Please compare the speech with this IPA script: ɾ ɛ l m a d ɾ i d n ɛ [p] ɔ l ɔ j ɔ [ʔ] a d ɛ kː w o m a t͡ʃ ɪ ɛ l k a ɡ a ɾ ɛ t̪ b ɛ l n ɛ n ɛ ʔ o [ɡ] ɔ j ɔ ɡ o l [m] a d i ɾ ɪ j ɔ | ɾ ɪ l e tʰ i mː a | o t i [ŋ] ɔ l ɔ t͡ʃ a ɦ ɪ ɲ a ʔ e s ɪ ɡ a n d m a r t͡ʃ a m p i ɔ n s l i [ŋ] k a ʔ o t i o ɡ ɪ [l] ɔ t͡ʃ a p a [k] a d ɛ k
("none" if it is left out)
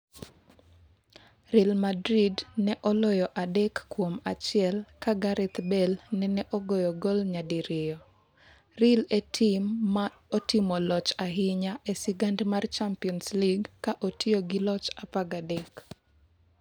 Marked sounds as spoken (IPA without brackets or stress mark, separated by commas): ʔ, ʔ, ɡ, ɲ, m, ɡ, l, ɡ